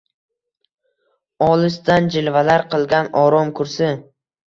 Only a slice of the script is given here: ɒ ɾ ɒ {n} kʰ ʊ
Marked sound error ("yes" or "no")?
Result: yes